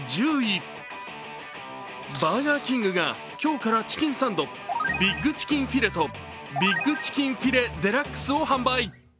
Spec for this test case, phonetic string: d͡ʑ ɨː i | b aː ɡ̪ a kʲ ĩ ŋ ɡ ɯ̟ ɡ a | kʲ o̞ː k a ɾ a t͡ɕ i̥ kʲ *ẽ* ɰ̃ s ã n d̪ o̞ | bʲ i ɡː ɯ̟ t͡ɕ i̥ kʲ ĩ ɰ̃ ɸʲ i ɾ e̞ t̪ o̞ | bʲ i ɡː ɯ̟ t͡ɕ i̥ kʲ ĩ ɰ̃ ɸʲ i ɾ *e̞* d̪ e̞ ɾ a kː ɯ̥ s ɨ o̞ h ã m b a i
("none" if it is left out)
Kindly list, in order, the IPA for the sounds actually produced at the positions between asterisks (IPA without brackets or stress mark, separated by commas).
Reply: ĩ, e̞